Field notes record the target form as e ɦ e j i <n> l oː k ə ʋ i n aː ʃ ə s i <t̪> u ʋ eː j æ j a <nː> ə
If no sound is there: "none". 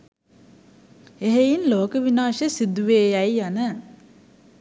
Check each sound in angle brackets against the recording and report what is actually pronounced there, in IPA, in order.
n, d̪, n

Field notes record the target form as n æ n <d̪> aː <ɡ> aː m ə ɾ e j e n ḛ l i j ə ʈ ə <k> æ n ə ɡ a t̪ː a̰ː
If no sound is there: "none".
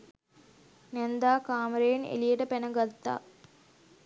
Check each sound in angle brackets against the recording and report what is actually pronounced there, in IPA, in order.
d̪, k, p

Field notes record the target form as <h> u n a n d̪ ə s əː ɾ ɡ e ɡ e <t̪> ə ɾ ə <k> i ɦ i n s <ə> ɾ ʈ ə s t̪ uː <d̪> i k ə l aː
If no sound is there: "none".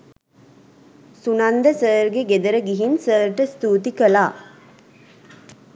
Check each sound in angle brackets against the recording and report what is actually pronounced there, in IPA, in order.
s, d̪, ɡ, əː, t̪

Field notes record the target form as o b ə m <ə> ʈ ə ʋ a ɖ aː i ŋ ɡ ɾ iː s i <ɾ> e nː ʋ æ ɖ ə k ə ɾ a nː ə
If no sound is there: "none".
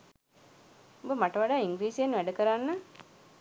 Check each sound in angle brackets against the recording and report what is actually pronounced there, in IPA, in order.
a, none

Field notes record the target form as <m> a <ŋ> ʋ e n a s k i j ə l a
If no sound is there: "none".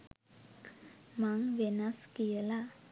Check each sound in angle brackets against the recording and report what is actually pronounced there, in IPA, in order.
m, ŋ

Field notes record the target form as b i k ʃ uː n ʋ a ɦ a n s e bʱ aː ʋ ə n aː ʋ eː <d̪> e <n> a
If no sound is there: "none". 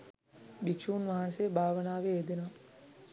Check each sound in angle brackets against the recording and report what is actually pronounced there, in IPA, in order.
d̪, n

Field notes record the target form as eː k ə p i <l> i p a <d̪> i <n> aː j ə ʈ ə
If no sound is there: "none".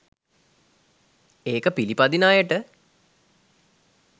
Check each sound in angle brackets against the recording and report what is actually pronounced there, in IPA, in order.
l, d̪, n

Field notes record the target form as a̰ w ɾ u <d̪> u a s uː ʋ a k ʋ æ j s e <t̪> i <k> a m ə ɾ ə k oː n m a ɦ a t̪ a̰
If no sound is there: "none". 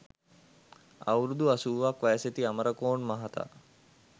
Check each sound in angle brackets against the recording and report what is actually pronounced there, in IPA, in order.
d̪, t̪, none

